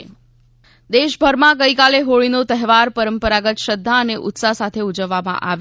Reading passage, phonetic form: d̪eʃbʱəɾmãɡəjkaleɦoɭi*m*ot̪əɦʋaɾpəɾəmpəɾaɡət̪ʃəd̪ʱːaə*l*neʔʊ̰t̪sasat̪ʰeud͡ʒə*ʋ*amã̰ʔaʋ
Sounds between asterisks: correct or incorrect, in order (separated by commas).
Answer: incorrect, incorrect, incorrect